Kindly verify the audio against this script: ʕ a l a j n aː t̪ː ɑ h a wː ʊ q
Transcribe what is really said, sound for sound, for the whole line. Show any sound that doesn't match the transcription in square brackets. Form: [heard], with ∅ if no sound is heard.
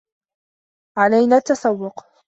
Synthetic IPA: ʕ a l a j n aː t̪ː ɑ [s] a wː ʊ q